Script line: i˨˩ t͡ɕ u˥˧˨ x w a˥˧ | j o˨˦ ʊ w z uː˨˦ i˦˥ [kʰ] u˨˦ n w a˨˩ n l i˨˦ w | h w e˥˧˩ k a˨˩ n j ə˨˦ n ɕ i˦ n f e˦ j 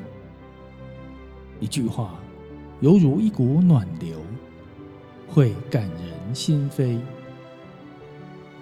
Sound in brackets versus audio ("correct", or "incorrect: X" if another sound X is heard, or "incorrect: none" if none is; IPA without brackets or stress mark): incorrect: k